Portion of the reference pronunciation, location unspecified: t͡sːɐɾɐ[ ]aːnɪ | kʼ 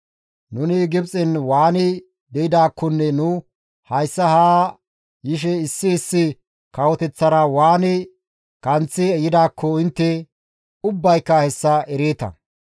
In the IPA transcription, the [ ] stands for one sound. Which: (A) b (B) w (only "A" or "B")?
B